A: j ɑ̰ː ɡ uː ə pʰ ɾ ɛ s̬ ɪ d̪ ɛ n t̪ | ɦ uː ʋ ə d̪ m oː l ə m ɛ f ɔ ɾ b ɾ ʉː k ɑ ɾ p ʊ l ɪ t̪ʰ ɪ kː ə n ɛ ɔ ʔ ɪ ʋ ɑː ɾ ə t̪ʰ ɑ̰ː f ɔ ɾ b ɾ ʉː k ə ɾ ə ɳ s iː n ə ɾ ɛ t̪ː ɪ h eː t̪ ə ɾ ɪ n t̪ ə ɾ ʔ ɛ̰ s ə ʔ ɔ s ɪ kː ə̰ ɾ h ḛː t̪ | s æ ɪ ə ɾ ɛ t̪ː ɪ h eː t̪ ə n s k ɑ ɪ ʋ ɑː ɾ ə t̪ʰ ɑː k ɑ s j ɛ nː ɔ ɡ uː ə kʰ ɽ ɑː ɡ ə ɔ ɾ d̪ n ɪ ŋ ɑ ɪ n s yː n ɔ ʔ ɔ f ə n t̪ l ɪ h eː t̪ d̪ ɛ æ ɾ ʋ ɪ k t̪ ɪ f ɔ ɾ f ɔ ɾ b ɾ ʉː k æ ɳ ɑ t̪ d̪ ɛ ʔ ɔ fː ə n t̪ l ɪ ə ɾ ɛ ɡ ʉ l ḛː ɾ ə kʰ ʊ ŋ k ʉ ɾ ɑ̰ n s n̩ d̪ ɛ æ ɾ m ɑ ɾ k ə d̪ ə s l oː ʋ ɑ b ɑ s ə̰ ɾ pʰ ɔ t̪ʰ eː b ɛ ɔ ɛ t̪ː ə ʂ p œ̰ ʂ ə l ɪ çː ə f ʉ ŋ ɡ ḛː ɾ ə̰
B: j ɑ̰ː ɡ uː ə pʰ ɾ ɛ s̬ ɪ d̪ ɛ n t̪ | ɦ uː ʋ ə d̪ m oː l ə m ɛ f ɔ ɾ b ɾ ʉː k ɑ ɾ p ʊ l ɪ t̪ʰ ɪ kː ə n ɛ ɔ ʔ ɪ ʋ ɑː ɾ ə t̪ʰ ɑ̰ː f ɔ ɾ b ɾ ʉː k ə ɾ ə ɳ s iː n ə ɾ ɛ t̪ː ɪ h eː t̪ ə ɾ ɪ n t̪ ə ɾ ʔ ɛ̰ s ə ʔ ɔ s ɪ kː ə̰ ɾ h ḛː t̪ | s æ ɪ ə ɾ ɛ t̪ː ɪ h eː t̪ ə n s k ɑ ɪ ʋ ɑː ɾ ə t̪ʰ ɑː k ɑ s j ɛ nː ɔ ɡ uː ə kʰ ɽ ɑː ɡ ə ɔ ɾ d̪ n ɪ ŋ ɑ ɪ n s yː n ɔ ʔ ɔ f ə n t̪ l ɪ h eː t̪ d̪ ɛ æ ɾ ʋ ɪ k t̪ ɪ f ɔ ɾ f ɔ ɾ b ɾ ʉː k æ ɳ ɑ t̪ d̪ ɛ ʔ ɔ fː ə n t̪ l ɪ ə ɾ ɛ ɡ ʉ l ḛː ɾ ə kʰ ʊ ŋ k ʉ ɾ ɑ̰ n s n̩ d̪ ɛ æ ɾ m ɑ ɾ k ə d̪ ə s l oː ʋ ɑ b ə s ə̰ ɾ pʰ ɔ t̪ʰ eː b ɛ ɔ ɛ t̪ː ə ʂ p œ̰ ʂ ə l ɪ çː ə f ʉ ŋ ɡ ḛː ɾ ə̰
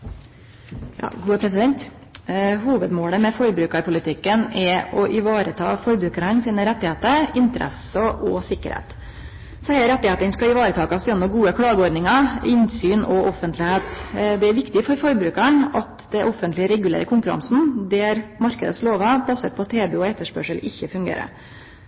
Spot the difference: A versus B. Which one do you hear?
A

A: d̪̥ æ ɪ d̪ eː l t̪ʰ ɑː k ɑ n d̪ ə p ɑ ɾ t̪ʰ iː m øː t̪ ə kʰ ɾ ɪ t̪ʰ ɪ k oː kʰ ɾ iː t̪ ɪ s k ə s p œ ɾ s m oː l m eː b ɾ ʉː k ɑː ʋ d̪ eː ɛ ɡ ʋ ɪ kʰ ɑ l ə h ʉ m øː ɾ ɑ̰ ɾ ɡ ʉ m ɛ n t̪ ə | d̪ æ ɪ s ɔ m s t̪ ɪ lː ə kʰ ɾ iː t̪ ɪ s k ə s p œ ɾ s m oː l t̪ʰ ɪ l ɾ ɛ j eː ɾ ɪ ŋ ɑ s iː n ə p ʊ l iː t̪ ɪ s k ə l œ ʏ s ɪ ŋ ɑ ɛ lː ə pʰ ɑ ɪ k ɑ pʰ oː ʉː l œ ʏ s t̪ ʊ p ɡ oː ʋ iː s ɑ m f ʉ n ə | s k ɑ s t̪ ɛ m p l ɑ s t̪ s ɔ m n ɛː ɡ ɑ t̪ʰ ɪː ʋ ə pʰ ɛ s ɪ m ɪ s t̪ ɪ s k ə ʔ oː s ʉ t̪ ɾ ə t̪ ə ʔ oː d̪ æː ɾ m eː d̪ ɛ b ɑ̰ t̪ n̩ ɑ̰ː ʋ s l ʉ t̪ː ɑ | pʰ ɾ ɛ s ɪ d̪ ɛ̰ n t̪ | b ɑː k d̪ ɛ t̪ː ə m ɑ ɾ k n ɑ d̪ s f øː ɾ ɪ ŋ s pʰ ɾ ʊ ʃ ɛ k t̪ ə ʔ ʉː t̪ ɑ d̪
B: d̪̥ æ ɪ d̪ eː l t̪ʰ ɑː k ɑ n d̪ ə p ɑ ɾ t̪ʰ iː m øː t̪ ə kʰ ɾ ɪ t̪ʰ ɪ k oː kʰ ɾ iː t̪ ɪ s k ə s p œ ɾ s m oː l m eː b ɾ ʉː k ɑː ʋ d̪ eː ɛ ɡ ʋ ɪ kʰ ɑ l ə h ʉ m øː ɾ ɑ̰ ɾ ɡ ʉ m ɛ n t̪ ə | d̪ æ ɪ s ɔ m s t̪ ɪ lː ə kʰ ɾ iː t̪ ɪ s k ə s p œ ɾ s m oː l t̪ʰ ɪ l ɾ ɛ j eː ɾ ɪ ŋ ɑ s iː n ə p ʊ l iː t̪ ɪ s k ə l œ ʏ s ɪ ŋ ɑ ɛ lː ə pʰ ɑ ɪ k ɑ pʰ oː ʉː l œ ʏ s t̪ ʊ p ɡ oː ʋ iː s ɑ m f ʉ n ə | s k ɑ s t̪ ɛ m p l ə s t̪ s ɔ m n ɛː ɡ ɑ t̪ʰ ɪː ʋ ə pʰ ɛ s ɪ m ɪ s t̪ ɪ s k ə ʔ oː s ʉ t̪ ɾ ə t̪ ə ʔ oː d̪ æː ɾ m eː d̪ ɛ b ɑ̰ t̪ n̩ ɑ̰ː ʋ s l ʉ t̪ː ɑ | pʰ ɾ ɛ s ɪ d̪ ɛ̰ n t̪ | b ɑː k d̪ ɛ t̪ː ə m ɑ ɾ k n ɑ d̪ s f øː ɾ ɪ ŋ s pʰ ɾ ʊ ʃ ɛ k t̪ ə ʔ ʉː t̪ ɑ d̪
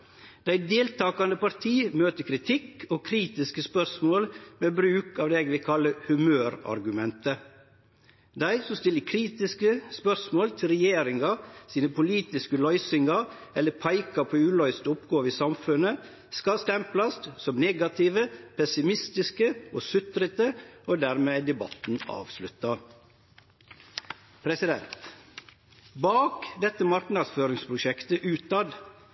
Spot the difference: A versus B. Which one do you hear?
A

